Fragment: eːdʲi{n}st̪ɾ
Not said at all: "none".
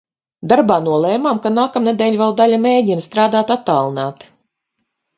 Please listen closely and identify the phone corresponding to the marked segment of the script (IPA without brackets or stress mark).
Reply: n